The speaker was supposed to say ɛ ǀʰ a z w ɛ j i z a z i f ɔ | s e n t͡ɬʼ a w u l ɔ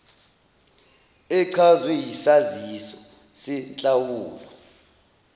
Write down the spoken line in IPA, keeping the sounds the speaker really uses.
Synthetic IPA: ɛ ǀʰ a z w ɛ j i s a z i s ɔ | s ɛ n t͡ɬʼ a w uː l ɔ